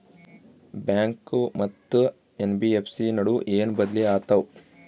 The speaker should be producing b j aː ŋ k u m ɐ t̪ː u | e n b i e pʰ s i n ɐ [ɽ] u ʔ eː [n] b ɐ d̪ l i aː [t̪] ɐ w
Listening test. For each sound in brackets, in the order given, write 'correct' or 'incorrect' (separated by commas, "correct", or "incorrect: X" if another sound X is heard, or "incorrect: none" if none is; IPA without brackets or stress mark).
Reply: correct, correct, correct